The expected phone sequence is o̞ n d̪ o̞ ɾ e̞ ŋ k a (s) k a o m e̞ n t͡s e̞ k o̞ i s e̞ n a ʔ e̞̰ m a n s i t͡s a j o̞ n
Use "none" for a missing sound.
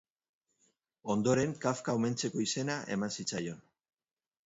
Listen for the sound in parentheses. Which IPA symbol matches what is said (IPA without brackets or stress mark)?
f